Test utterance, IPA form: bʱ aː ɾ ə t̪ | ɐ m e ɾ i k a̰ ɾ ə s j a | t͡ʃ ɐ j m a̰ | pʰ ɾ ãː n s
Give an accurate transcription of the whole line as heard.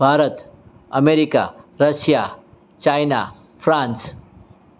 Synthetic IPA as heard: bʱ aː ɾ ə t̪ | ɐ m e ɾ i k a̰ ɾ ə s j a | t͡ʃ a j n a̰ | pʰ ɾ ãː n s